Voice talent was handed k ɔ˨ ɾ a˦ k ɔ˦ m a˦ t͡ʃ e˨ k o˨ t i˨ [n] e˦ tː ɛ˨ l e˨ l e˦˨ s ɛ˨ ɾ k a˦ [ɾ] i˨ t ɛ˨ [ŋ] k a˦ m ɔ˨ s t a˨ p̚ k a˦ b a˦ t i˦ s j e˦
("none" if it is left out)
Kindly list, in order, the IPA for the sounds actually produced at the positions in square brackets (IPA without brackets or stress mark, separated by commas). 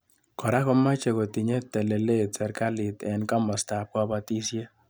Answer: ɲ, l, n